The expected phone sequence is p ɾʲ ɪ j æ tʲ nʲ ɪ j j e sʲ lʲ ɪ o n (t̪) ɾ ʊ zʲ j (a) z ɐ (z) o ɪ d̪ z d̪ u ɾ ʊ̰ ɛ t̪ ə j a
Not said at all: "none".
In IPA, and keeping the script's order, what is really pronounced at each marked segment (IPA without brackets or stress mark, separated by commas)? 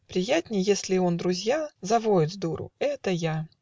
d̪, a, v